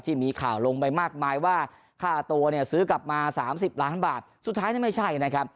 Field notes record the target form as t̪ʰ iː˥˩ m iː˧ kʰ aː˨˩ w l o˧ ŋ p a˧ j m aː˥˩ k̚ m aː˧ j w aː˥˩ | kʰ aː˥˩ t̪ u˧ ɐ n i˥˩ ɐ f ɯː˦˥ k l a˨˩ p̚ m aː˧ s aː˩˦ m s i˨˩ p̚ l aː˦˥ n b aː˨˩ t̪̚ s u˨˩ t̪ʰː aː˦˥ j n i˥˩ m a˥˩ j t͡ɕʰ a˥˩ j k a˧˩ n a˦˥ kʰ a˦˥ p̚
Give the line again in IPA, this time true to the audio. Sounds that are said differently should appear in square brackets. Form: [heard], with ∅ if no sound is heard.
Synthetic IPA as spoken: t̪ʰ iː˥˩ m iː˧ kʰ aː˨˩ w l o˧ ŋ p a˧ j m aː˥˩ k̚ m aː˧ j w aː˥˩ | kʰ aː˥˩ t̪ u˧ ɐ n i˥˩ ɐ [s] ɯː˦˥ k l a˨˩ p̚ m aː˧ s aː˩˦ m s i˨˩ p̚ l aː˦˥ n b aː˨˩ t̪̚ s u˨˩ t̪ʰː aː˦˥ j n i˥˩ m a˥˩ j t͡ɕʰ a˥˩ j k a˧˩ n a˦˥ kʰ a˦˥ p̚